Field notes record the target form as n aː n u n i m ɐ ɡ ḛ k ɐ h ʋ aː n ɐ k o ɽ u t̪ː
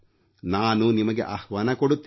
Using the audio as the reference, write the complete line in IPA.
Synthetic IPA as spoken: n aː n u n i m ɐ ɡ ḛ ʔ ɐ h ʋ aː n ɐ k o ɽ u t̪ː